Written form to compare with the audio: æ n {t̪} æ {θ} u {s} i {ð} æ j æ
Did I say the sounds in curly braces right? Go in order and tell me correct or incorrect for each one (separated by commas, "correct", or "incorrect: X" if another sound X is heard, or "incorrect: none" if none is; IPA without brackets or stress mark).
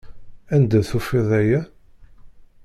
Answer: incorrect: d̪, correct, incorrect: f, correct